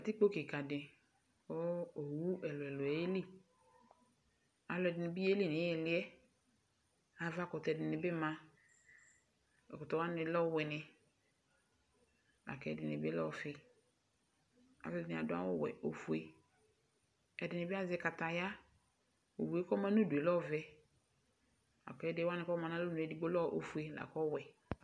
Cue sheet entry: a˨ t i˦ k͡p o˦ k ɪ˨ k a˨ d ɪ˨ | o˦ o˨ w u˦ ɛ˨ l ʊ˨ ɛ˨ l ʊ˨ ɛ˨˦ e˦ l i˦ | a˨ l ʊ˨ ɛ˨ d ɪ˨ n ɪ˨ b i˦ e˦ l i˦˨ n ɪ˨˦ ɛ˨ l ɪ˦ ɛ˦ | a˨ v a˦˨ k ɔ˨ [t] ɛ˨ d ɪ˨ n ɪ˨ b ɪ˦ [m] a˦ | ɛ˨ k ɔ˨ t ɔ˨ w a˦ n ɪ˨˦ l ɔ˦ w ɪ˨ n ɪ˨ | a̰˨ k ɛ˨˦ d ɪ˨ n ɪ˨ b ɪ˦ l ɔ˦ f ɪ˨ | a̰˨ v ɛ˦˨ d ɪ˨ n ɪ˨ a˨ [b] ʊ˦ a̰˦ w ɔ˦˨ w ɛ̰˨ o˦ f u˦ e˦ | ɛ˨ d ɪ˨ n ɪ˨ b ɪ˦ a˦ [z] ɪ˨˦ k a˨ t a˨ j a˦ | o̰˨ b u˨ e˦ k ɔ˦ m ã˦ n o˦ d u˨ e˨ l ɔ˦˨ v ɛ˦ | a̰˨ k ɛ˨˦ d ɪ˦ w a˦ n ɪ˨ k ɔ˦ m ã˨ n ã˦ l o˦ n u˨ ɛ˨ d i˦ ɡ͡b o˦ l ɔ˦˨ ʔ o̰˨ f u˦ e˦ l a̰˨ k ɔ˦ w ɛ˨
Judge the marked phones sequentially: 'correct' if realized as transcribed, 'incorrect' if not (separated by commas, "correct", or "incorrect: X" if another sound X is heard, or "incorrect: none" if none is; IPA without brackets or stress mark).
correct, correct, incorrect: d, correct